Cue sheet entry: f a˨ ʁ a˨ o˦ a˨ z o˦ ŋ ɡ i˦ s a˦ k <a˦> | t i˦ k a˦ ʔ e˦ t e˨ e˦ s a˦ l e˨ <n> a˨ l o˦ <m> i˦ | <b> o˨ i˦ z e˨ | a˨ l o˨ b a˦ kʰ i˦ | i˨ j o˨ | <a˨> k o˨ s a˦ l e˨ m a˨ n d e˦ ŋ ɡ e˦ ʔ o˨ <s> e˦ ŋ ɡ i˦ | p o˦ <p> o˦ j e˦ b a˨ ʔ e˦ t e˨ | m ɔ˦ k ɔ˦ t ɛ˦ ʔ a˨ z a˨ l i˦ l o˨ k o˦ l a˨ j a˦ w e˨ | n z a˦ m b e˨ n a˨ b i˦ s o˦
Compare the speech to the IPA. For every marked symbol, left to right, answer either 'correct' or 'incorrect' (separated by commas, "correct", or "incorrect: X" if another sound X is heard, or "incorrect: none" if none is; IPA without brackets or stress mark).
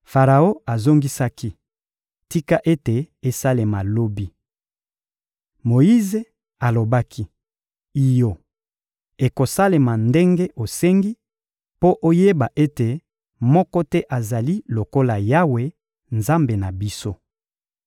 incorrect: i˦, incorrect: m, incorrect: b, incorrect: m, incorrect: e˨, correct, incorrect: ʔ